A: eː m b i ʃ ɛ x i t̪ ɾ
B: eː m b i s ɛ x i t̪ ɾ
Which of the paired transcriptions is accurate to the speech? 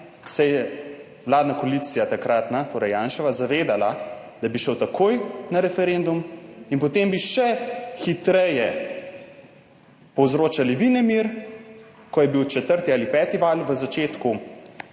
A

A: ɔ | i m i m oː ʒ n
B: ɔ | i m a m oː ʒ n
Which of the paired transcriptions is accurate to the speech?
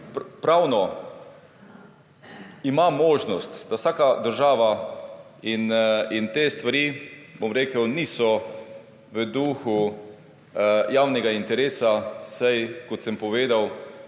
B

